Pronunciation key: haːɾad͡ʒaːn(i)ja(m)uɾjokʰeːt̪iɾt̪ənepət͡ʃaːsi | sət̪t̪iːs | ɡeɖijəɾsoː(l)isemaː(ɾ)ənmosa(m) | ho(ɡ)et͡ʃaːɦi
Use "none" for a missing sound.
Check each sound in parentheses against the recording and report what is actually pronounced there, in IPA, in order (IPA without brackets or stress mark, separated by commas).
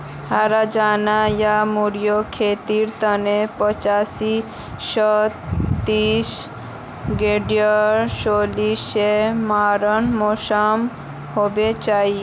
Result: a, m, l, ɾ, m, b